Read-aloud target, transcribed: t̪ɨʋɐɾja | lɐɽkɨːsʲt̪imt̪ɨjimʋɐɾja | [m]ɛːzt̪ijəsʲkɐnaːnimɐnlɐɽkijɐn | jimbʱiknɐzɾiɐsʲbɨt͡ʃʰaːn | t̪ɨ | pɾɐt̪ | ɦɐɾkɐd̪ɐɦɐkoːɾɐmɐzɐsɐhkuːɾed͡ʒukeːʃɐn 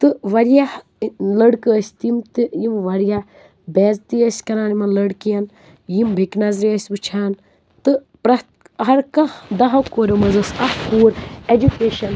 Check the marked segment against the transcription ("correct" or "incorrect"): incorrect